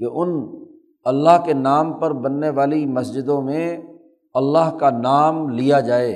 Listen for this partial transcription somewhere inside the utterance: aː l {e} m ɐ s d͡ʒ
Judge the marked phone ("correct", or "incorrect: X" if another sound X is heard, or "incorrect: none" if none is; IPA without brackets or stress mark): incorrect: i